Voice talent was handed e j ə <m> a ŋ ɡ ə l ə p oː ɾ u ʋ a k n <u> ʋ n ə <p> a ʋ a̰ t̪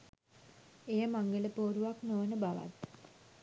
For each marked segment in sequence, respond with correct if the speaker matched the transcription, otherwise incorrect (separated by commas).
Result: correct, incorrect, incorrect